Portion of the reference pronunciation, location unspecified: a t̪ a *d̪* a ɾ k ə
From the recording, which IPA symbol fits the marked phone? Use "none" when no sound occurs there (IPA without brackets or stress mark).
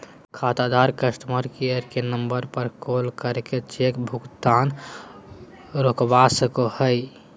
d̪